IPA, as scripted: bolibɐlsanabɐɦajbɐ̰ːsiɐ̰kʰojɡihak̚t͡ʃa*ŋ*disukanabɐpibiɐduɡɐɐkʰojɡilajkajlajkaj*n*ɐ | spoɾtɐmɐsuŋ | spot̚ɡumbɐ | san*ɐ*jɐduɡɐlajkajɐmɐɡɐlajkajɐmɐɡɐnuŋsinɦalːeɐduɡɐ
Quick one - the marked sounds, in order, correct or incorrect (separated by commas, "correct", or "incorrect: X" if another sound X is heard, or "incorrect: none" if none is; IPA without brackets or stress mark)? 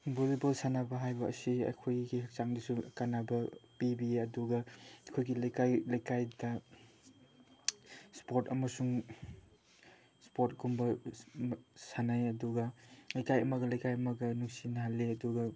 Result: correct, incorrect: d, incorrect: a